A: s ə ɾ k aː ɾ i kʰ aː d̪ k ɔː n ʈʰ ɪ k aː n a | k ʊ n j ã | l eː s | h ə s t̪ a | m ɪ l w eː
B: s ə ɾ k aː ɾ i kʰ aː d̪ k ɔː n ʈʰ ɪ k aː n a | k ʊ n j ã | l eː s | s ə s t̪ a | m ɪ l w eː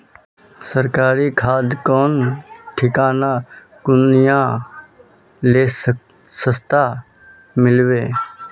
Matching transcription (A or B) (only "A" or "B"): B